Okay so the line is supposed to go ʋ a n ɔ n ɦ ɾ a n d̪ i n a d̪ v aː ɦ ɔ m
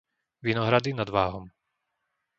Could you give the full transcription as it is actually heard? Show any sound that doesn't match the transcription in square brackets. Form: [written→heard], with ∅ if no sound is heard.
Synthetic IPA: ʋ [a→i] n ɔ [n→∅] ɦ ɾ a [n→∅] d̪ i n a d̪ [v→ʋ] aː ɦ ɔ m